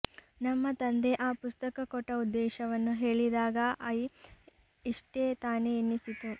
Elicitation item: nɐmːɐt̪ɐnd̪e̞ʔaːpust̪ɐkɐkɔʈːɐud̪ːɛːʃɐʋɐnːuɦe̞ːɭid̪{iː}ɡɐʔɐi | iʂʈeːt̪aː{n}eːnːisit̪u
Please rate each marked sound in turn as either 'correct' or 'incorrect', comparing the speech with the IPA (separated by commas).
incorrect, correct